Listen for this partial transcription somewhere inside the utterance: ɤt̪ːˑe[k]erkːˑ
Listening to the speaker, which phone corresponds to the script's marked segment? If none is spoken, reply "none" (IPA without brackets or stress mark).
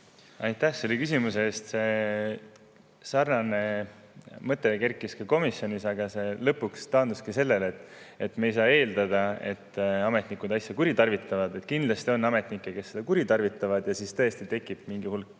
k